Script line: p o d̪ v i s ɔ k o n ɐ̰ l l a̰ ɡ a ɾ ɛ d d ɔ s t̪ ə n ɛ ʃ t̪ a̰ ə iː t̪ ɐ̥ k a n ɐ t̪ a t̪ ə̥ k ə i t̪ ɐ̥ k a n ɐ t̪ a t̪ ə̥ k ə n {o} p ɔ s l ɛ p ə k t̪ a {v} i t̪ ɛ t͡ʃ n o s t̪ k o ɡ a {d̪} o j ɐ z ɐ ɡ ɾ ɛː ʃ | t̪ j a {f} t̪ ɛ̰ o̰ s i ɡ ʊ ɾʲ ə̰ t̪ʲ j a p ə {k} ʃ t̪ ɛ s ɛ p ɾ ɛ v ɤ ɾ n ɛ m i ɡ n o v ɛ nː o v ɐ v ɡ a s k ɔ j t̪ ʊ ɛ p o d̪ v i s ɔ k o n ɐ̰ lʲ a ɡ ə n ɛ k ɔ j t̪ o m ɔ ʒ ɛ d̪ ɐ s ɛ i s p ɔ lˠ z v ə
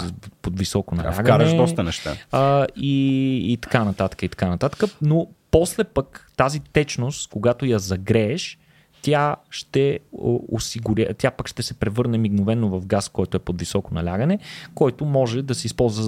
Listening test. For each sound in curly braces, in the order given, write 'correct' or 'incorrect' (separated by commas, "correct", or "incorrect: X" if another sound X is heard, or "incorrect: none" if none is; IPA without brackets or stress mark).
correct, incorrect: z, incorrect: t̪, incorrect: ʃ, correct